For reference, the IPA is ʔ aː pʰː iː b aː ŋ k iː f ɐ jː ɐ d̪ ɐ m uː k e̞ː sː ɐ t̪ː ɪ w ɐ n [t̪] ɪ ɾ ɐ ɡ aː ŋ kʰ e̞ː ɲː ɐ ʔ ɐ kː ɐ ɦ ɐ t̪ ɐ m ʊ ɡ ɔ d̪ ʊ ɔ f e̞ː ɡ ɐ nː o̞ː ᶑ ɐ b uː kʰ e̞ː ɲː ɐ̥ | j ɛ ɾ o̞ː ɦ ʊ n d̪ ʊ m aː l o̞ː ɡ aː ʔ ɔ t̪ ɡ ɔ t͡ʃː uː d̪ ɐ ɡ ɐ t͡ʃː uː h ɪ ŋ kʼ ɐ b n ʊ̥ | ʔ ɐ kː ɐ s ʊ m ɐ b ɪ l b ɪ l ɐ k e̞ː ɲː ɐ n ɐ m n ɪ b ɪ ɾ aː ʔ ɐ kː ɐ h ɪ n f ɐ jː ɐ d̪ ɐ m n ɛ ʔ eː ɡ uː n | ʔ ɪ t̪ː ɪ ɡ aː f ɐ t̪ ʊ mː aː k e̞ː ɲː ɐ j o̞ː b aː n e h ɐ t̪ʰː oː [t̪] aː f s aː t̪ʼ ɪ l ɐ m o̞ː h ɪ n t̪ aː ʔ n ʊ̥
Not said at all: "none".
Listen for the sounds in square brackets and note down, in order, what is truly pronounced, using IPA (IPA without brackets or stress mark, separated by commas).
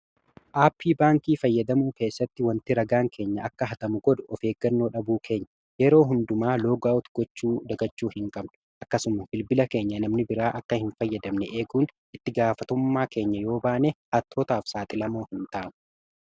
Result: t̪, t̪